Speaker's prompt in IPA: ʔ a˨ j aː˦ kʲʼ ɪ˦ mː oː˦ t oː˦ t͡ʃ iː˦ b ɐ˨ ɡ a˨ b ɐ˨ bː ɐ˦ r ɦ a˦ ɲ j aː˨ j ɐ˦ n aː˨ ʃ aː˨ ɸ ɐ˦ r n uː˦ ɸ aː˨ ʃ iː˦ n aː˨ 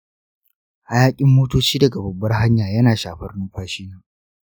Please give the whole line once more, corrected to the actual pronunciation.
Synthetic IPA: ʔ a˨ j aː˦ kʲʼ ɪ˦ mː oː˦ t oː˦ t͡ʃ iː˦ d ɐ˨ ɡ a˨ b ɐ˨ bː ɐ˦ r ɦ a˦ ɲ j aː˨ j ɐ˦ n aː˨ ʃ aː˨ ɸ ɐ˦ r n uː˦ ɸ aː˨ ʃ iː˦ n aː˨